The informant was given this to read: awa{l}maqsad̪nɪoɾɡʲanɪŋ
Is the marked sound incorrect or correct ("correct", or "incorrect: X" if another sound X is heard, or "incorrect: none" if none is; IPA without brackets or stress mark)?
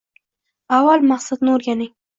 correct